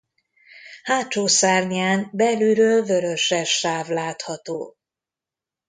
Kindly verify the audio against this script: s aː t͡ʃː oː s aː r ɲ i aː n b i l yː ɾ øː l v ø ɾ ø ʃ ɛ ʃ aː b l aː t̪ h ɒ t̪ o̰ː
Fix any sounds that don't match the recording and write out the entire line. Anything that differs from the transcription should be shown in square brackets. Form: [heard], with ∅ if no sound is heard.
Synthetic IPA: [h] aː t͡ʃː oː s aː r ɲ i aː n b [ɛ] l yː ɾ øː l v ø ɾ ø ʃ ɛ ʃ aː [v] l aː t̪ h ɒ t̪ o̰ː